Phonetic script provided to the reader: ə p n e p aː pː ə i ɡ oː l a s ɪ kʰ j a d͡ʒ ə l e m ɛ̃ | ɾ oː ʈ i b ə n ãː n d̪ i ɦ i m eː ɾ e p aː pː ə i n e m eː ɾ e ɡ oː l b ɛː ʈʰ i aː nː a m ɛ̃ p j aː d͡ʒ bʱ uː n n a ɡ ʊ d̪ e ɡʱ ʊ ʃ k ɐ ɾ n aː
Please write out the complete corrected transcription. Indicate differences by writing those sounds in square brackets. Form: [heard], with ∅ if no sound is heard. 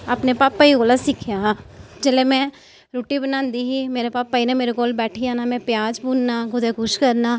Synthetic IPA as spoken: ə p n e p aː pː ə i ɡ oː l a s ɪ kʰ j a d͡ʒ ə l e m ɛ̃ | ɾ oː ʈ i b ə n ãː n d̪ i ɦ i m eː ɾ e p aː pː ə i n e m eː ɾ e ɡ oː l b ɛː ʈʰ i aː [n] a m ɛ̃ p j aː d͡ʒ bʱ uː n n a ɡ ʊ d̪ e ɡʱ ʊ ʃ k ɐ ɾ n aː